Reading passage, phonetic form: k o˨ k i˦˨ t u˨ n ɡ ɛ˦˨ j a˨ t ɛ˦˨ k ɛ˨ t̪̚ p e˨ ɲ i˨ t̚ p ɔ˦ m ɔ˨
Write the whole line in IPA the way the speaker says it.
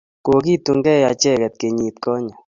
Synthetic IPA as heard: k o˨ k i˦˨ t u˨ ŋ ɡ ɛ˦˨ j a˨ t͡ʃ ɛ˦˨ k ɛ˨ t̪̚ k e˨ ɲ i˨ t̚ k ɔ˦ ɲ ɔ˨